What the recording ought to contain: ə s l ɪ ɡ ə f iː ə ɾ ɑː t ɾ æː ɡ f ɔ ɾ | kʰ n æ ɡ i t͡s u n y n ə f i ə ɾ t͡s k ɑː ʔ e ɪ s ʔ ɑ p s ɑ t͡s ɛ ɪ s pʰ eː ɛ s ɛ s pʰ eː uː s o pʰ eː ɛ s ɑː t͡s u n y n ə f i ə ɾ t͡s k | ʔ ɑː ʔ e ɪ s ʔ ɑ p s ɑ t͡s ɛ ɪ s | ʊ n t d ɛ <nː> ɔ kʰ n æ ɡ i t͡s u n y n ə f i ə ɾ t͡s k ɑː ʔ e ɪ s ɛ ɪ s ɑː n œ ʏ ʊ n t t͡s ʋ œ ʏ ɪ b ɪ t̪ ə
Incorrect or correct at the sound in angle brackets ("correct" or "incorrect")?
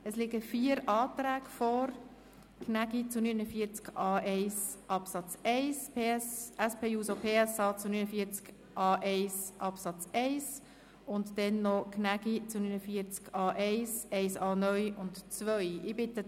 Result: correct